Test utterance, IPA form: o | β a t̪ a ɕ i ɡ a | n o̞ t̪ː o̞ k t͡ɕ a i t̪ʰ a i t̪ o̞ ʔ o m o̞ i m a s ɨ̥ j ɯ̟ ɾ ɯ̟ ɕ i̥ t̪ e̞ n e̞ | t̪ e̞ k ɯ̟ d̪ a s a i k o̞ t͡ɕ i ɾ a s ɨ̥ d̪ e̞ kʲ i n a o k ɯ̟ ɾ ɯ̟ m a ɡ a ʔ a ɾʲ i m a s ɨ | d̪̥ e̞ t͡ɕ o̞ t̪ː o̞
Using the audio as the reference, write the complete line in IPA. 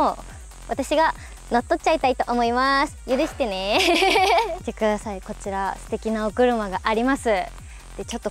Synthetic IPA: o | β a t̪ a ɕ i ɡ a | n o̞ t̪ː o̞ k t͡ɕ a i t̪ a i t̪ o̞ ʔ o m o̞ i m a s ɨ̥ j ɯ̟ ɾ ɯ̟ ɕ i̥ t̪ e̞ n e̞ | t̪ e̞ k ɯ̟ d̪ a s a i k o̞ t͡ɕ i ɾ a s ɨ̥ t̪ e̞ kʲ i n a o k ɯ̟ ɾ ɯ̟ m a ɡ a ʔ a ɾʲ i m a s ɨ | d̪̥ e̞ t͡ɕ o̞ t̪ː o̞